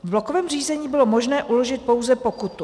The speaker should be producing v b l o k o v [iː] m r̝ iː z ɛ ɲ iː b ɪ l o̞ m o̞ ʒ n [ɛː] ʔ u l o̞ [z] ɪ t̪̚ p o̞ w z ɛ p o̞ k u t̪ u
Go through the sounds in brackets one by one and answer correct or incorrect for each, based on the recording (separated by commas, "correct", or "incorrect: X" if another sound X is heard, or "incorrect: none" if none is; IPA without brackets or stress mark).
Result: incorrect: ɛː, correct, incorrect: ʒ